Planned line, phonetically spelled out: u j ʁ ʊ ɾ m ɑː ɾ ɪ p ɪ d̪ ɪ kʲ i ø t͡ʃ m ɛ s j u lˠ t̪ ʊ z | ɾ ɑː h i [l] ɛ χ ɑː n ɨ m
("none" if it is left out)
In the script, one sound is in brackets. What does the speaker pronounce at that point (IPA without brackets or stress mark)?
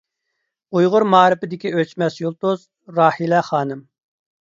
l